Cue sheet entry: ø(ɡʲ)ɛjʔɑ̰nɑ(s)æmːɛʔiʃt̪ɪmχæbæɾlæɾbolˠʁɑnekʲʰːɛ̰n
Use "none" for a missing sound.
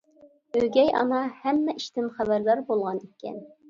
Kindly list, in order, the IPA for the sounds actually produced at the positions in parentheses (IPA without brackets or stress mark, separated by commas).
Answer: ɡʲ, h